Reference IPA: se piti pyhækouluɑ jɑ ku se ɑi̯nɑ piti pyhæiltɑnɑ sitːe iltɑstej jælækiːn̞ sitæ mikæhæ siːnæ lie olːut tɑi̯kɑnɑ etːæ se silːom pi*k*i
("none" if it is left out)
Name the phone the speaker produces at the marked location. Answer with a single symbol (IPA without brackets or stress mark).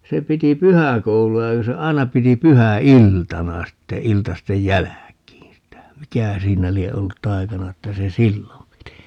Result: t